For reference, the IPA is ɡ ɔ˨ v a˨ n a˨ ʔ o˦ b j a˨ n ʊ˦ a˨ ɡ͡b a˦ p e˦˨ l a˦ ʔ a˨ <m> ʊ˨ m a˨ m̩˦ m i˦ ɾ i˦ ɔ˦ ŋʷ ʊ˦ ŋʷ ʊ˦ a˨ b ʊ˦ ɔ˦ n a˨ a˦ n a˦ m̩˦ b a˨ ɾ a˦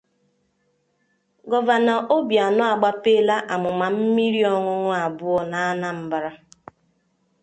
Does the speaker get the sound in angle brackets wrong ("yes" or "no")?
no